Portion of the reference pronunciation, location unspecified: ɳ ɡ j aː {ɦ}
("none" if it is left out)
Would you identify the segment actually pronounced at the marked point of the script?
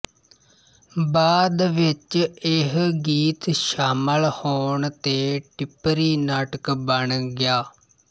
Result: none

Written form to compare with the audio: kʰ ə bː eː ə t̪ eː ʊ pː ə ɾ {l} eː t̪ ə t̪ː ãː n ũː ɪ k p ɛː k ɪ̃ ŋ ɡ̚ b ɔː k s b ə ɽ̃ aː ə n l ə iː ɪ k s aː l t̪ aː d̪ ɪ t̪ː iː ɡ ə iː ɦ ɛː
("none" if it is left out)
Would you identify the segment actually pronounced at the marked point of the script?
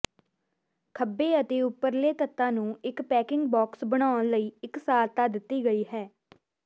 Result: l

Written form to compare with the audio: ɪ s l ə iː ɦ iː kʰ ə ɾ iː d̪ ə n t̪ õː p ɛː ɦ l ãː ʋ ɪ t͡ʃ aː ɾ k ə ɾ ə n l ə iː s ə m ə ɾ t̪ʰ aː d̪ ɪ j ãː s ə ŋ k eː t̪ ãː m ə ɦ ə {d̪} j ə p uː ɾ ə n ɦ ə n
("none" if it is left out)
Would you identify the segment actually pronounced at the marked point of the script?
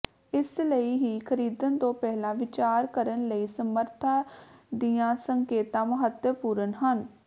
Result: t̪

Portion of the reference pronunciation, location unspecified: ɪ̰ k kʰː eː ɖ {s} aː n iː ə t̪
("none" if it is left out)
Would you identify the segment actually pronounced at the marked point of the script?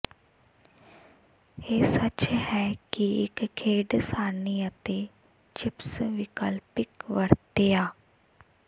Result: s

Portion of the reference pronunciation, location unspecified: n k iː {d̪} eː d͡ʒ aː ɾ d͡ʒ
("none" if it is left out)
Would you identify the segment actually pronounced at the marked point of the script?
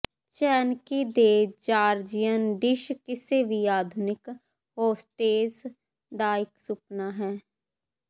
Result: d̪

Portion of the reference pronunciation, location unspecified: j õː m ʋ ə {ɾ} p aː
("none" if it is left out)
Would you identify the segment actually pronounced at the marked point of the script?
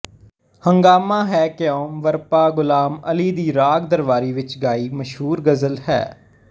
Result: ɾ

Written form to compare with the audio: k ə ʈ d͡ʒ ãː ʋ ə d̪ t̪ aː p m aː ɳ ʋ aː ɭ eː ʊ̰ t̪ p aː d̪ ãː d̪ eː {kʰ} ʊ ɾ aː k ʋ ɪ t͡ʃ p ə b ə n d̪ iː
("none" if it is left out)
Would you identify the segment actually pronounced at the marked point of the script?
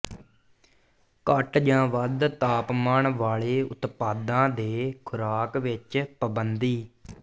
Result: kʰ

